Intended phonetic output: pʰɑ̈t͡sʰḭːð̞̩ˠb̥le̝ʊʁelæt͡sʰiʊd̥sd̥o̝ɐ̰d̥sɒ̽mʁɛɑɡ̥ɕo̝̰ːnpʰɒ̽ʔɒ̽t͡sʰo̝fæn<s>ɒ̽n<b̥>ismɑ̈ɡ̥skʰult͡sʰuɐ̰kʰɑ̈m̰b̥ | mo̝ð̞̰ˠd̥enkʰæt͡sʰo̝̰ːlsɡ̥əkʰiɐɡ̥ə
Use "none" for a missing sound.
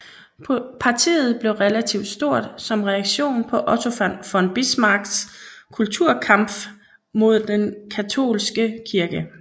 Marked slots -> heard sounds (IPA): f, b̥

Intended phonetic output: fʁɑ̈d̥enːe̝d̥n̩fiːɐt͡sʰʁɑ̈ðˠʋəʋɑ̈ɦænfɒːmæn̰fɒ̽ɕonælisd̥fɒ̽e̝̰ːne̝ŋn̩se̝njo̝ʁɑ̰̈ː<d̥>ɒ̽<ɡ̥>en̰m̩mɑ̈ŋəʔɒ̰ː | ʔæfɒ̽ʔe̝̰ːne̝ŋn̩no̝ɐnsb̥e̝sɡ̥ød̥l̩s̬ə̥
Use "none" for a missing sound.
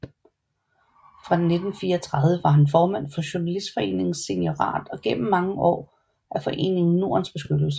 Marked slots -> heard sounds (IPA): d̥, ɡ̥

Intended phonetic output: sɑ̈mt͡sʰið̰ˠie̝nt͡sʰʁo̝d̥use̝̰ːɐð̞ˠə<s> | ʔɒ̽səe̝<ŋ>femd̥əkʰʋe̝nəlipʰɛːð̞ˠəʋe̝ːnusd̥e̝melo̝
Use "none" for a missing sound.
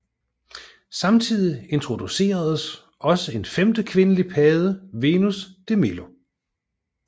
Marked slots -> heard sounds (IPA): s, n

